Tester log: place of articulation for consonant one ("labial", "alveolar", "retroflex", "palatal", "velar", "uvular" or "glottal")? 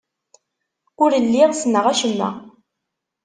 alveolar